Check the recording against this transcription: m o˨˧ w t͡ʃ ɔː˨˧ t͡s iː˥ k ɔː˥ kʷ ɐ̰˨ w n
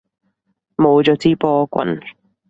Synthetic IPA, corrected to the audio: m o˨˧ w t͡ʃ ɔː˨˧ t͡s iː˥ p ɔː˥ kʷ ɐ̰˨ n